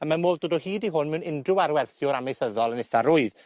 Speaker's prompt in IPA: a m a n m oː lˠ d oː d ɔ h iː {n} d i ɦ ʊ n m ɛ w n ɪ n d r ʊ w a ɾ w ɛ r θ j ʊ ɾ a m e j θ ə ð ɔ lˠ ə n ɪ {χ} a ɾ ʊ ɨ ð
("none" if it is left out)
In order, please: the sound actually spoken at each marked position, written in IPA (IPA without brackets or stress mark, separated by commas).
none, θ